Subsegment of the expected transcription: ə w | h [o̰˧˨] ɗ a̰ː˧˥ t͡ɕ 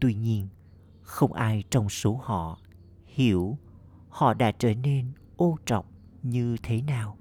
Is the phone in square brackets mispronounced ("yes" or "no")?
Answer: yes